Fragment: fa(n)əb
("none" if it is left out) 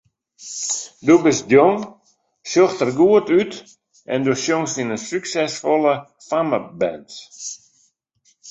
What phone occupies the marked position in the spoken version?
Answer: m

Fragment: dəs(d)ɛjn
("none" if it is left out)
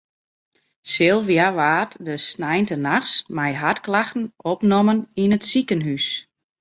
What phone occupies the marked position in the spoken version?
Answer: n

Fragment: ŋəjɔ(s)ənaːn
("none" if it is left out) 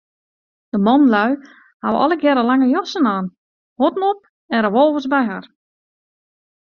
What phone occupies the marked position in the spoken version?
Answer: s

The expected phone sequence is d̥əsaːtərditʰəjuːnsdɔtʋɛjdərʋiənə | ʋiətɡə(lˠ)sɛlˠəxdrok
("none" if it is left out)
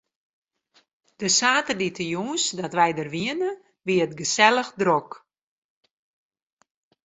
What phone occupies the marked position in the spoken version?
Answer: none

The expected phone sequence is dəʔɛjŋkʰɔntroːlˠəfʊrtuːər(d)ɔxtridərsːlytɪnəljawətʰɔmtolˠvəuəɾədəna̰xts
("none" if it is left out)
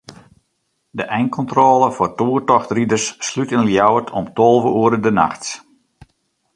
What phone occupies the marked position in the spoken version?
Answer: t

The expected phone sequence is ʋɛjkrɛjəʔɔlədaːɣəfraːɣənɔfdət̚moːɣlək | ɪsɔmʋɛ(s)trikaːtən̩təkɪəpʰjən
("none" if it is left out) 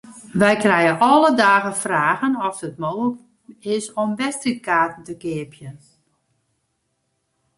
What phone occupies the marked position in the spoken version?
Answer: s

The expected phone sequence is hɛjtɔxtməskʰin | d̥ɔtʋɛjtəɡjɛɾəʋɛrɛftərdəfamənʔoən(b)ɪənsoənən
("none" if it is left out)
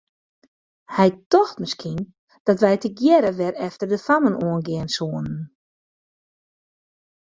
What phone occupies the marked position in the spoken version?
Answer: ɡ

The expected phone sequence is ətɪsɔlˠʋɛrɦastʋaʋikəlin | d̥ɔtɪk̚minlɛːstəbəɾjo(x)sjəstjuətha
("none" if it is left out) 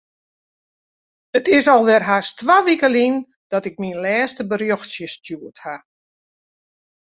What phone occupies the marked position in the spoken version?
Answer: x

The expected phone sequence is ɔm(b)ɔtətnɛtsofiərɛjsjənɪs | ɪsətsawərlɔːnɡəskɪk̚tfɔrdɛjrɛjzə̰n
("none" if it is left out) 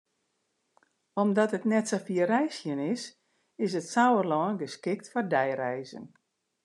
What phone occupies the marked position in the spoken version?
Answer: d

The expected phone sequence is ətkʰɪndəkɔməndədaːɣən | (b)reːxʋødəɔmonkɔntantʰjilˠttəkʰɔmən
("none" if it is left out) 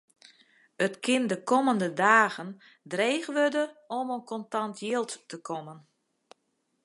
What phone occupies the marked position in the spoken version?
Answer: d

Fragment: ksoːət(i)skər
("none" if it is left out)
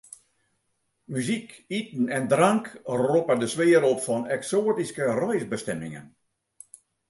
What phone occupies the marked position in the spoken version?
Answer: i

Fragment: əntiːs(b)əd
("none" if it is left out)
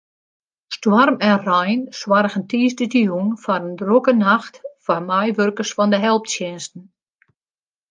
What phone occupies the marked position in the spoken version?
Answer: d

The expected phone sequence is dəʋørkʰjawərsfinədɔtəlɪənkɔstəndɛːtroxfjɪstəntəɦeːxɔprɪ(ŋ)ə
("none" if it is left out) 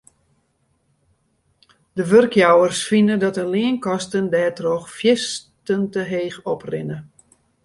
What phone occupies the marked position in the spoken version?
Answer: n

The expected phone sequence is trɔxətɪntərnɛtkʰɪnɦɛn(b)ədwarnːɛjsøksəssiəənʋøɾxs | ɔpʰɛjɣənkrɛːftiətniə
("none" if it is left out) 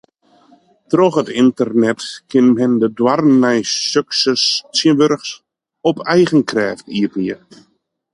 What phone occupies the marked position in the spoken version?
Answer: d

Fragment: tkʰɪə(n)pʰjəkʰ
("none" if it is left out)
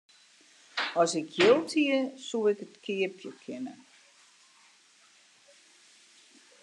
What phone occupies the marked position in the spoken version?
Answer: none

